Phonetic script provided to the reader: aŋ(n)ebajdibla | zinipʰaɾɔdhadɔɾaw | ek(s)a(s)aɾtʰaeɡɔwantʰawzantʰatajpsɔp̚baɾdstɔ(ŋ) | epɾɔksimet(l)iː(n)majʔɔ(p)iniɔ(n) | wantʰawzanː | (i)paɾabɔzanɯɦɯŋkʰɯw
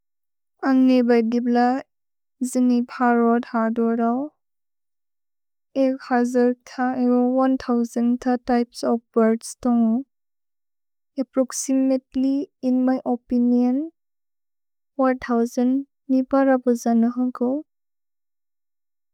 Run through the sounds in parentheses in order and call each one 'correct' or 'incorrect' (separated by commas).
correct, incorrect, incorrect, correct, correct, correct, correct, correct, correct